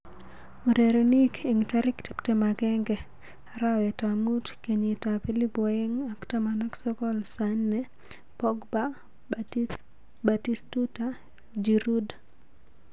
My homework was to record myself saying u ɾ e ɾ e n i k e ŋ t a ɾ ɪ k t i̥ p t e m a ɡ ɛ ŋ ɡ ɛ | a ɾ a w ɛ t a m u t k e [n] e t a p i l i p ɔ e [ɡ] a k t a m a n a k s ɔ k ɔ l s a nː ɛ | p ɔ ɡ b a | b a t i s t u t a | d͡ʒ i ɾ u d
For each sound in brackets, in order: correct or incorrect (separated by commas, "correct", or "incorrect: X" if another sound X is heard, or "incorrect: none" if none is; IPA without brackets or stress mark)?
incorrect: ɲ, incorrect: ŋ